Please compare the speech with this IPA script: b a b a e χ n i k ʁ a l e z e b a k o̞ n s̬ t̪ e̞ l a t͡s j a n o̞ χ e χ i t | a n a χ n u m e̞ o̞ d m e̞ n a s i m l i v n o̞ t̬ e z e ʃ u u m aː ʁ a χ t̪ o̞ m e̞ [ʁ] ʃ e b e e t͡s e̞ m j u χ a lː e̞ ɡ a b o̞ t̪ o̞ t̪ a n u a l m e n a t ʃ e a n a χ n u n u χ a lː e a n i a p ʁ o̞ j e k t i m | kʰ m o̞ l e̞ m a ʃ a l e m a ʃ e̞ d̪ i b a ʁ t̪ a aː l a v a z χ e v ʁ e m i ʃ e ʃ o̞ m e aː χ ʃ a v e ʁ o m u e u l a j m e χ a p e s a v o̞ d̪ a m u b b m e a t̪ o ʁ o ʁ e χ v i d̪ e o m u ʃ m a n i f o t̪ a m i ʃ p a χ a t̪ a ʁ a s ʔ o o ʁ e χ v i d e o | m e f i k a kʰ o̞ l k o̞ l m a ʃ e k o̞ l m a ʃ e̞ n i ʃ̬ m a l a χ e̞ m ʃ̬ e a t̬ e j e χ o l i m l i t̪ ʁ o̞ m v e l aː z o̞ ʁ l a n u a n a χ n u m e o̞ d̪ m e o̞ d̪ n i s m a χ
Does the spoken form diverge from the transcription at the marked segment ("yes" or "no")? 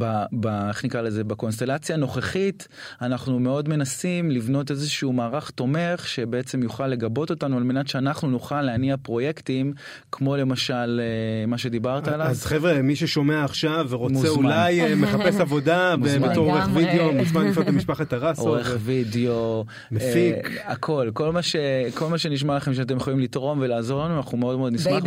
yes